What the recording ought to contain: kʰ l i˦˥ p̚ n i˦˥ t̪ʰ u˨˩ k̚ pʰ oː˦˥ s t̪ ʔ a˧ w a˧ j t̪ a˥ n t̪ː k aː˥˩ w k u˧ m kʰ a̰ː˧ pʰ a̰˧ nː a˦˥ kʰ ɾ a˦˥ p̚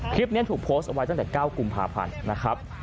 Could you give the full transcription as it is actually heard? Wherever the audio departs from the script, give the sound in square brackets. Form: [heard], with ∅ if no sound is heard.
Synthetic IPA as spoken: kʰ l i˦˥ p̚ n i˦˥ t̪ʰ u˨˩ k̚ pʰ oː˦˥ s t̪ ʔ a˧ w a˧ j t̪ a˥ [ŋ] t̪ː k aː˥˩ w k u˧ m [pʰ] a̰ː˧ pʰ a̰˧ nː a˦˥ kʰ ɾ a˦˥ p̚